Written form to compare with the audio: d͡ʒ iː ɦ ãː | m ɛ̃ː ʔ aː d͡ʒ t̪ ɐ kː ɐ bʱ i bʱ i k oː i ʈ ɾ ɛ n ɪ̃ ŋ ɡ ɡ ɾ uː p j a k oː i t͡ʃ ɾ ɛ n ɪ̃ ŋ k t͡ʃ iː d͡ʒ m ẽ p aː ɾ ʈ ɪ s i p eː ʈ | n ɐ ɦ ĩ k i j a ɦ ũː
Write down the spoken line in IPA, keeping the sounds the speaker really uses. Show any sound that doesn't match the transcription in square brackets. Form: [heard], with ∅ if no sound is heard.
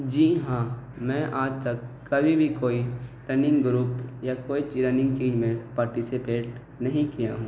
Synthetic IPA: d͡ʒ iː ɦ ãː | m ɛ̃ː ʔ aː d͡ʒ t̪ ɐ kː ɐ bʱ i bʱ i k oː i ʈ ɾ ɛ n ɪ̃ ŋ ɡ ɡ ɾ uː p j a k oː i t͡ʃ ɾ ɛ n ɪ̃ ŋ [ɡ] t͡ʃ iː d͡ʒ m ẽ p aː ɾ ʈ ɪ s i p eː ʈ | n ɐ ɦ ĩ k i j a ɦ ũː